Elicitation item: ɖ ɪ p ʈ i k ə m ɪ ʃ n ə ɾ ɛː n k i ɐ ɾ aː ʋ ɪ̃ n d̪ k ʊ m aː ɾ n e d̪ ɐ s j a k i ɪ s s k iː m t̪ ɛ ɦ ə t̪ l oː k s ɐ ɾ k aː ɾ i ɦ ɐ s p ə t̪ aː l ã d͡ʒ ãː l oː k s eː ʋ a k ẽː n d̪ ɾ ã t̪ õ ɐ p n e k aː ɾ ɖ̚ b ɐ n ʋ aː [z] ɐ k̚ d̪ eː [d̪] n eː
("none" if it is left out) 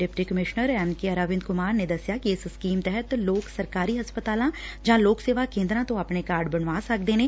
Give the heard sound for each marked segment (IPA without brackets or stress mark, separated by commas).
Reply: s, none